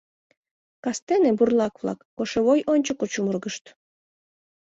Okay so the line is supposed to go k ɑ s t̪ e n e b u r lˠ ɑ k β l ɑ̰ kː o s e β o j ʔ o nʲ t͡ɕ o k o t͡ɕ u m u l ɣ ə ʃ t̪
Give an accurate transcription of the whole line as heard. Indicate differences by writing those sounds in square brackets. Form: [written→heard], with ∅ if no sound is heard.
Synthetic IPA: k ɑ s t̪ e n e b u r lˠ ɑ k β l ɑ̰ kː o [s→ʃ] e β o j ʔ o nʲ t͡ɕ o k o t͡ɕ u m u [l→r] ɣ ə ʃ t̪